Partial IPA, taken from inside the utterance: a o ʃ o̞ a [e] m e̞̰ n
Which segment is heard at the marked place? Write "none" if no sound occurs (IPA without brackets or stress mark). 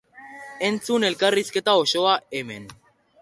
e